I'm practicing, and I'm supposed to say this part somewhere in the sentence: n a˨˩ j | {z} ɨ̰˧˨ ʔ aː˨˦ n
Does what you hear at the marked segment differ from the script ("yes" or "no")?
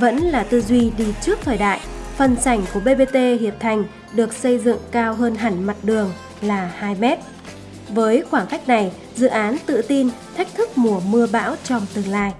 no